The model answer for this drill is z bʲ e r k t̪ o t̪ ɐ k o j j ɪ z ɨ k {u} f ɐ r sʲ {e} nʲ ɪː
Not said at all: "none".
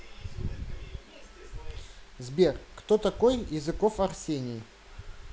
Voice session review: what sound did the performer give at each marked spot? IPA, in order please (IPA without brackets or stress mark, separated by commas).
o, e